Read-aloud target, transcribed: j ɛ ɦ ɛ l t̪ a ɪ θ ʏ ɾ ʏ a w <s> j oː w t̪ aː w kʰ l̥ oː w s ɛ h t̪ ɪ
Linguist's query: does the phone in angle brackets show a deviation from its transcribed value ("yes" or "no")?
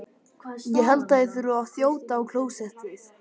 yes